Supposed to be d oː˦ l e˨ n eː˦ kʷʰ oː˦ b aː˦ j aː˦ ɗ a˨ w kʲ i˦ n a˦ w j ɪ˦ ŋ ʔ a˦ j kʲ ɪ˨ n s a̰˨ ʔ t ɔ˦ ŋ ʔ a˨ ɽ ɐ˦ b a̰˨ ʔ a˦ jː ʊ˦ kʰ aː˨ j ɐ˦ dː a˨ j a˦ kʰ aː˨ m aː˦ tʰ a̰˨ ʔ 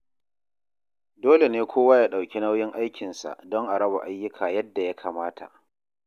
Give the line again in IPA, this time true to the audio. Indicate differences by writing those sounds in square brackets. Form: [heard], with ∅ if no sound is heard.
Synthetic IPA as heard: d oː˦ l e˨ n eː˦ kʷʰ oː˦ [w] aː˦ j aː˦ ɗ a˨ w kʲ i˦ n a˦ w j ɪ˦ ŋ ʔ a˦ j kʲ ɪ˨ n s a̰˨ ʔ [d] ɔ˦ ŋ ʔ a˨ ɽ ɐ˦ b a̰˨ ʔ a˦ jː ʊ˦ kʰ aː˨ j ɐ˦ dː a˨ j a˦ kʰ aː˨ m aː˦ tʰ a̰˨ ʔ

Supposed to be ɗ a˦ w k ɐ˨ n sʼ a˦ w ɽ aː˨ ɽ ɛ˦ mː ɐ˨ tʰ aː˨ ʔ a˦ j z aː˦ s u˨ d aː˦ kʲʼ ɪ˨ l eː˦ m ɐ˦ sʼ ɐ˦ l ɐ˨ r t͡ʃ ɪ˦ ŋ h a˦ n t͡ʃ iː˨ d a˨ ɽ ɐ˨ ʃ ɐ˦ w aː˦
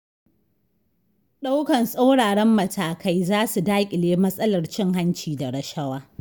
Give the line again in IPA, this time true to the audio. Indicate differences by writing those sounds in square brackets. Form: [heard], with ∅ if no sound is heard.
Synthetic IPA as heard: ɗ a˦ w k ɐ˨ n sʼ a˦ w ɽ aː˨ ɽ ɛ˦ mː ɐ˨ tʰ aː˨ [k] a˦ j z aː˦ s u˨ d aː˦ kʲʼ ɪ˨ l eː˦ m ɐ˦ sʼ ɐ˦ l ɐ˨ r t͡ʃ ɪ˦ ŋ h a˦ n t͡ʃ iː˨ d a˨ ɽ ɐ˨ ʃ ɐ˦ w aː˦

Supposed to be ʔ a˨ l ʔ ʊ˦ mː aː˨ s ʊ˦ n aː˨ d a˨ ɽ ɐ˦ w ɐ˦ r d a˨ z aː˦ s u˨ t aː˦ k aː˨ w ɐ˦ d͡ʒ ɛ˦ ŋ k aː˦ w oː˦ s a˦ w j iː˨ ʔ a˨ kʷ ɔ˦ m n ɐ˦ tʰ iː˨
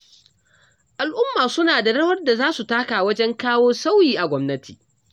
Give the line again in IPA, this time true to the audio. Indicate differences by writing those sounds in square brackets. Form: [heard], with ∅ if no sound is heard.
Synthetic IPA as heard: ʔ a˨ l ʔ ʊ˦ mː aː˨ s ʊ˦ n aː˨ d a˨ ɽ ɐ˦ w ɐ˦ r d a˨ z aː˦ s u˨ t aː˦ k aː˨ w ɐ˦ d͡ʒ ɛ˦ ŋ k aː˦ w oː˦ s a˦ w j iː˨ ʔ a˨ [ɡʷ] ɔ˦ m n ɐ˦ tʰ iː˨

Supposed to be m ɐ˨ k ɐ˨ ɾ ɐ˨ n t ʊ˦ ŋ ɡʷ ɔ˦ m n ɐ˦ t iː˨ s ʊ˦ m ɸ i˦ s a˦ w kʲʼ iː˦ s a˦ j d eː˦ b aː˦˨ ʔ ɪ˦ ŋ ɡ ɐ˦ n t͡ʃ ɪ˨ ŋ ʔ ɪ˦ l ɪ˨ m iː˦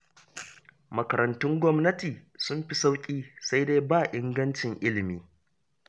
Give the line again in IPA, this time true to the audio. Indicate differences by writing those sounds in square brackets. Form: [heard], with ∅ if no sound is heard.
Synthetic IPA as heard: m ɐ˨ k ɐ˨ ɾ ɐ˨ n t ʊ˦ ŋ ɡʷ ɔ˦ m n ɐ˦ t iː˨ s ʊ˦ m ɸ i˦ s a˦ w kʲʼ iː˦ s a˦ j d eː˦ b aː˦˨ ʔ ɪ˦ ŋ ɡ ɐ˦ n t͡ʃ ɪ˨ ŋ ʔ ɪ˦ l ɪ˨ m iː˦

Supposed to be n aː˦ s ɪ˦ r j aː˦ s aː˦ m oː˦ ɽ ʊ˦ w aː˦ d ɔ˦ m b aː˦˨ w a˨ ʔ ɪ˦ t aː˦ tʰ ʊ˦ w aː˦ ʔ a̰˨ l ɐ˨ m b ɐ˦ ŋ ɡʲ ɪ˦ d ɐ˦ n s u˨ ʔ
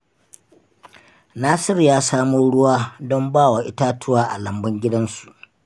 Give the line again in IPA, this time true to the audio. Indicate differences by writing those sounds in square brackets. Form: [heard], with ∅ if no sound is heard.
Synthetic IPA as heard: n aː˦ s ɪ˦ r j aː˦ s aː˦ m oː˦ ɽ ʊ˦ w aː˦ d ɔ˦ m b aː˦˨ w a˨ ʔ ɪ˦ t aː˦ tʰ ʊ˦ w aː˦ ʔ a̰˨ l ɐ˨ m b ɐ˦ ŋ ɡʲ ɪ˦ d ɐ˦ n s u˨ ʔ

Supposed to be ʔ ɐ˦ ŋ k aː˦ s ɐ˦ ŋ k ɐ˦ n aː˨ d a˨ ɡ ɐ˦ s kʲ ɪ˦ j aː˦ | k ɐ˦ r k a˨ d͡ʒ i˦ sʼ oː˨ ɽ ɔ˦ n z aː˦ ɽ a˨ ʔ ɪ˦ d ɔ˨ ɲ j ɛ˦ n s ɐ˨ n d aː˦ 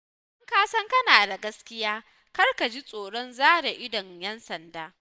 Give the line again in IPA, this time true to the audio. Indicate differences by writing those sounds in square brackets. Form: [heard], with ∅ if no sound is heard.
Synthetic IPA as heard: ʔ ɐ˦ ŋ k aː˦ s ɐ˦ ŋ k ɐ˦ n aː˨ d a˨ ɡ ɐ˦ s kʲ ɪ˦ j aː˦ | k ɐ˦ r k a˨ d͡ʒ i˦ sʼ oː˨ ɽ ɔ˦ n z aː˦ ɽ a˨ ʔ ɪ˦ d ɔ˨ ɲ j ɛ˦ n s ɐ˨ n d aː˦

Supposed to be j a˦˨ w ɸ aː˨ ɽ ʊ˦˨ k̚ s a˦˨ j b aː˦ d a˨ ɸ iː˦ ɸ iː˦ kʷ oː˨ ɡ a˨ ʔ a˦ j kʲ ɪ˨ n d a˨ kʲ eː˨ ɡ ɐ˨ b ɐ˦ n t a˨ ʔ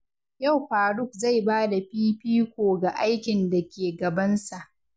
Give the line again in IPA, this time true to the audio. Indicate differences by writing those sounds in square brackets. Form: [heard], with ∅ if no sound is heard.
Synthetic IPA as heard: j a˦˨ w ɸ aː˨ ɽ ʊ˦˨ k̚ [z] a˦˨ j b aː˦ d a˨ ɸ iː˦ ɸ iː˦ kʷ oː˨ ɡ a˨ ʔ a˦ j kʲ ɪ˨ n d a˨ kʲ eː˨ ɡ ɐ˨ b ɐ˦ n [s] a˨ ʔ

